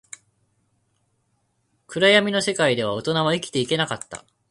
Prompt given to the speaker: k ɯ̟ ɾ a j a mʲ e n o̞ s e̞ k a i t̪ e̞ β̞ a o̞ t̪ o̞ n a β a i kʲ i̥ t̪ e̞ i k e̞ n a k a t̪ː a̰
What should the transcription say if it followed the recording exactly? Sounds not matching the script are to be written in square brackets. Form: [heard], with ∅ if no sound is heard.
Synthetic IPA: k ɯ̟ ɾ a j a mʲ [i] n o̞ s e̞ k a i [d̪] e̞ β̞ a o̞ t̪ o̞ n a β a i kʲ i̥ t̪ e̞ i k e̞ n a k a t̪ː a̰